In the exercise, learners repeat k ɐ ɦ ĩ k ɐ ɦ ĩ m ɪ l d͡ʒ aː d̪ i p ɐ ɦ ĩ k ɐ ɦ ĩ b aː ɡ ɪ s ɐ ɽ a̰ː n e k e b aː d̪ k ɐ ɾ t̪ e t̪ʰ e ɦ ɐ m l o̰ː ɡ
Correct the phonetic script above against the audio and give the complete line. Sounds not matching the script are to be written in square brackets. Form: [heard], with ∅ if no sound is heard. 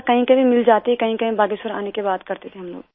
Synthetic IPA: k ɐ ɦ ĩ k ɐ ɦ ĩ m ɪ l d͡ʒ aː [t̪] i [k] ɐ ɦ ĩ k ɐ ɦ ĩ b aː ɡ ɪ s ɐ [ɾ] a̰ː n e k e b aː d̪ k ɐ ɾ t̪ e t̪ʰ e ɦ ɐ m l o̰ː ɡ